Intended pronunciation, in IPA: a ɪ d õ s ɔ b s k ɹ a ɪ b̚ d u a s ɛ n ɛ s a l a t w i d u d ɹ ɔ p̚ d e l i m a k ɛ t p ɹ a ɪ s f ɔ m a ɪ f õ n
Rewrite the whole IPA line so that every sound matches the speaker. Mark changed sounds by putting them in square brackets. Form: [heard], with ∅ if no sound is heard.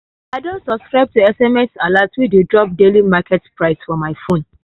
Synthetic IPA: a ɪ d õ s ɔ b s k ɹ a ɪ b̚ [t] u [ɛ] s ɛ [m] ɛ s a l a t w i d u d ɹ ɔ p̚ d e l i m a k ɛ t p ɹ a ɪ s f ɔ m a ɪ f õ n